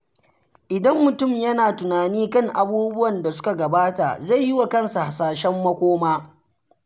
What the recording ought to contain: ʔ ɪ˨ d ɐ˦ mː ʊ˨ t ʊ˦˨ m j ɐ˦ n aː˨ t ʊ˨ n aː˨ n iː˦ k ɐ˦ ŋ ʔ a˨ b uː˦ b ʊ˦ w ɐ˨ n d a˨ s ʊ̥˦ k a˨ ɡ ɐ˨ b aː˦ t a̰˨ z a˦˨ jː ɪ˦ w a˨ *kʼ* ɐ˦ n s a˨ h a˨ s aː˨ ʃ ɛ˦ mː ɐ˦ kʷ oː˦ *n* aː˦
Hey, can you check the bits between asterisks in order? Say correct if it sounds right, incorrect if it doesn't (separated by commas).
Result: incorrect, incorrect